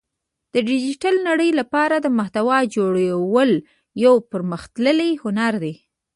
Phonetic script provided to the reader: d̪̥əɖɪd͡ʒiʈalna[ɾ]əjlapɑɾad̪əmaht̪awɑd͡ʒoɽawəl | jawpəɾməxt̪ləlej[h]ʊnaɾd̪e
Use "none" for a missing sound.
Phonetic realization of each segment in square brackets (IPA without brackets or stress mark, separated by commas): ɽ, h